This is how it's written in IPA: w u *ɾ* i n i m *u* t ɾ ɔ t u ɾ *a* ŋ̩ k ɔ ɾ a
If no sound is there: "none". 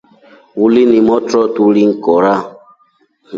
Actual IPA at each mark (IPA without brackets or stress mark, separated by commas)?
l, ɔ, i